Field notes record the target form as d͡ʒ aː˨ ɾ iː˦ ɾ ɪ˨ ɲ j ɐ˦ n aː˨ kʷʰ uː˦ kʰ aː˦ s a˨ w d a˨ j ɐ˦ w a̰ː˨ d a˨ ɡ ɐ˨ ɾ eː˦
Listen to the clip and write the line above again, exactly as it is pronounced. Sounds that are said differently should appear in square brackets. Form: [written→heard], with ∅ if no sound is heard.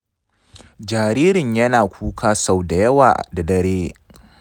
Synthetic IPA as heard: d͡ʒ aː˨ ɾ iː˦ ɾ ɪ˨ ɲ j ɐ˦ n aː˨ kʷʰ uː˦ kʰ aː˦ s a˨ w d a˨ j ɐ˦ w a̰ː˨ d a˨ [ɡ→d] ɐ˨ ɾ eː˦